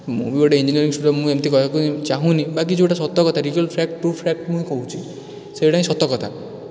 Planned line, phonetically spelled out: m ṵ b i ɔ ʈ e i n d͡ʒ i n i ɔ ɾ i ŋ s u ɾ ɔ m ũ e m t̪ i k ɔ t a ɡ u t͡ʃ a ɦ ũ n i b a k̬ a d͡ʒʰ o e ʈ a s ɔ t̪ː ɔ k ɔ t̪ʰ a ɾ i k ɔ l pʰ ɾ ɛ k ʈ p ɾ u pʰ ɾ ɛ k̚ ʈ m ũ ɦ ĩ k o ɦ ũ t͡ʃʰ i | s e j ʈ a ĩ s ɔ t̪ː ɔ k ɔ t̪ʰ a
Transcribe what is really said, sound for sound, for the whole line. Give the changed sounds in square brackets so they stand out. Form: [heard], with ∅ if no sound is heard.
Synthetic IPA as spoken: m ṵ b i ɔ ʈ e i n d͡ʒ i n i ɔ ɾ i ŋ s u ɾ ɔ m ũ e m t̪ i k ɔ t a [k] u t͡ʃ a ɦ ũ n i b a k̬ [i] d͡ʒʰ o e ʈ a s ɔ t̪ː ɔ k ɔ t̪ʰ a ɾ i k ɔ l pʰ ɾ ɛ k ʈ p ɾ u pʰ ɾ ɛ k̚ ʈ m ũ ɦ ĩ k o ɦ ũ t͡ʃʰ i | s e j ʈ a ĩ s ɔ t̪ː ɔ k ɔ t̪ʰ a